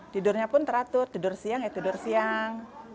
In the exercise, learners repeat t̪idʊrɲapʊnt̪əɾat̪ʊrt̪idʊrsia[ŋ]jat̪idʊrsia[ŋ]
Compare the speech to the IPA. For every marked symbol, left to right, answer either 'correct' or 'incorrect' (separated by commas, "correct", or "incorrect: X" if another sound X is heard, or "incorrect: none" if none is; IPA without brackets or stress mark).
correct, correct